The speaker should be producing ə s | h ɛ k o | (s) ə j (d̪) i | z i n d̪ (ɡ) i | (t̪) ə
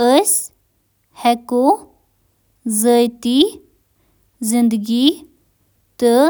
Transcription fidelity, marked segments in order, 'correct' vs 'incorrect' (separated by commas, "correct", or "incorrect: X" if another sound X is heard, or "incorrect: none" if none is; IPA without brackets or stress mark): incorrect: z, incorrect: t̪, correct, correct